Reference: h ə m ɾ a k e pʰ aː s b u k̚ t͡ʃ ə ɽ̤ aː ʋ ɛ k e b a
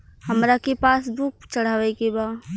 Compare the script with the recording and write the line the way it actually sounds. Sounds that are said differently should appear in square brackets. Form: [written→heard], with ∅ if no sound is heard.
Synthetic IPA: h ə m ɾ a k e [pʰ→p] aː s b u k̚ t͡ʃ ə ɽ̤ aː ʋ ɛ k e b a